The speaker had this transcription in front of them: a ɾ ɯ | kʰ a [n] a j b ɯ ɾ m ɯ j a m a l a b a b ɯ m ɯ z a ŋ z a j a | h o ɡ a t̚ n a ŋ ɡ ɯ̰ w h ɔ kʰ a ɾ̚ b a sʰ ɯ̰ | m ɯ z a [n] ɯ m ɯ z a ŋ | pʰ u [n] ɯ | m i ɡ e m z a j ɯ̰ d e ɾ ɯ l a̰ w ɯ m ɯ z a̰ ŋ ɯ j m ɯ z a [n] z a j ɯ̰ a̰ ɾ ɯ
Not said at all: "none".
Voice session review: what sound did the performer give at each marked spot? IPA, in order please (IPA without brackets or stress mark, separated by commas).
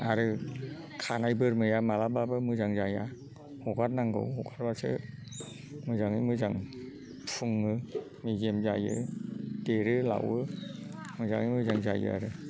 n, ŋ, ŋ, ŋ